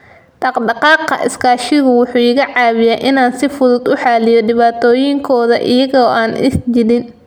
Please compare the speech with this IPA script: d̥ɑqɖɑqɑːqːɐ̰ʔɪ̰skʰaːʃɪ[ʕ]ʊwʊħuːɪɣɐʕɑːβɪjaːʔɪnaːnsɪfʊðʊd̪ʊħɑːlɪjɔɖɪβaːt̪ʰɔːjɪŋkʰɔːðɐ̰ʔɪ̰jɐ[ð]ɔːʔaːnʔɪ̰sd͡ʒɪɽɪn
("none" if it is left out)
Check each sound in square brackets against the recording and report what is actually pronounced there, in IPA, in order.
ɣ, ɣ

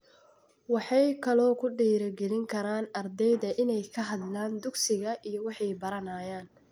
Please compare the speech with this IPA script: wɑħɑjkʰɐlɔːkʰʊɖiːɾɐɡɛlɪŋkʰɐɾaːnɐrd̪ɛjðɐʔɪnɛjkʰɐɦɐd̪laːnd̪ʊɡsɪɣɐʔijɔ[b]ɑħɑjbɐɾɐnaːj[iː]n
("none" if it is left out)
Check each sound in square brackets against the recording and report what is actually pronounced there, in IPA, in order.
w, aː

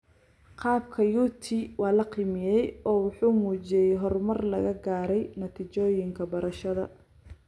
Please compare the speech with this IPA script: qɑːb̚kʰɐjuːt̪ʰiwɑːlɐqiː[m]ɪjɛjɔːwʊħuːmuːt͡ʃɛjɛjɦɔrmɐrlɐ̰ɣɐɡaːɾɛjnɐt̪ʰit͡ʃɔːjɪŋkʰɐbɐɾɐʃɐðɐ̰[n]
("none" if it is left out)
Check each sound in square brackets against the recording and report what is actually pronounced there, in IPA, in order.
m, none

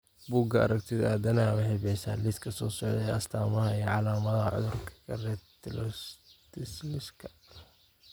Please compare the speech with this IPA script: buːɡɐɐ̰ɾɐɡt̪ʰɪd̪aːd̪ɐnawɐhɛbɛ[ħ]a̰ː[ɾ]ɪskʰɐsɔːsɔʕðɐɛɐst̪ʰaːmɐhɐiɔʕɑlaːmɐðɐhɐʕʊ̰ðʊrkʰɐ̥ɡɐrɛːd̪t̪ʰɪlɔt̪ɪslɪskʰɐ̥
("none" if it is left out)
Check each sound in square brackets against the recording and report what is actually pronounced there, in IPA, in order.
s, l

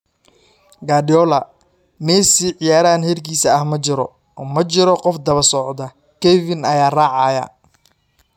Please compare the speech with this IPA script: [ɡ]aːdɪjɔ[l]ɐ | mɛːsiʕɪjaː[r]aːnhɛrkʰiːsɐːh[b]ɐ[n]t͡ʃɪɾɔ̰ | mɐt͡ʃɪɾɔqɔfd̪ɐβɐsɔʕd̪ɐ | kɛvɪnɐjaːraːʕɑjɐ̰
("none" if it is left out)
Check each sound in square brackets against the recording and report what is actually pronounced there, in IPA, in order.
ɡ, l, ɾ, m, none

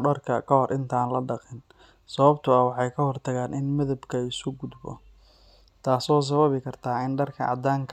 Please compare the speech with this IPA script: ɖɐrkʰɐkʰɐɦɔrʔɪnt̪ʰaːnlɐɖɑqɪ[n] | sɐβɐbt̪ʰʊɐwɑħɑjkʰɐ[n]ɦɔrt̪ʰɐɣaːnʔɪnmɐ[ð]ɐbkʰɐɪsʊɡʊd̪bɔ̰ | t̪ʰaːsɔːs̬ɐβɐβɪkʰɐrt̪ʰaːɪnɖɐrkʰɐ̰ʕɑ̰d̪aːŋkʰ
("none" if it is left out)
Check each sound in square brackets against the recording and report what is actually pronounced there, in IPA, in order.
n, none, ð

